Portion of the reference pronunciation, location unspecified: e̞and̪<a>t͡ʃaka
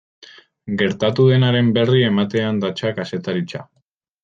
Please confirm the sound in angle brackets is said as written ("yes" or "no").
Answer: yes